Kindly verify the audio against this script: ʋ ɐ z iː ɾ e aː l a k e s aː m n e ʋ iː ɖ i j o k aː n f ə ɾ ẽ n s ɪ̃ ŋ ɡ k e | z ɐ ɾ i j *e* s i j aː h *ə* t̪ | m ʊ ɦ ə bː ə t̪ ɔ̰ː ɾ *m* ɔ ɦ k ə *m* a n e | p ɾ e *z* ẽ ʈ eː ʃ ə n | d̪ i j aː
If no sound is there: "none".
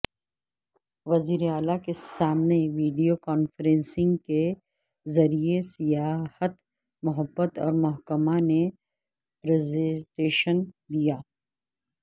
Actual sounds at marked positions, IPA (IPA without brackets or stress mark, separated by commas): e, ə, m, m, z